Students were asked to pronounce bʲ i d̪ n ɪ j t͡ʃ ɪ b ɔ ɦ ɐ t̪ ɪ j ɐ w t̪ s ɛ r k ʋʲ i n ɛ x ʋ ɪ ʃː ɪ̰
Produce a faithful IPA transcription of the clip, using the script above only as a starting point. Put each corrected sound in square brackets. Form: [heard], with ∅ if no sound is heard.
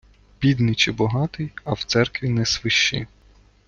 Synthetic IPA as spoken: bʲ i d̪ n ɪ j t͡ʃ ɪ b ɔ ɦ [ɑ] t̪ ɪ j ɐ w t̪ s ɛ r k ʋʲ i n ɛ [s] ʋ ɪ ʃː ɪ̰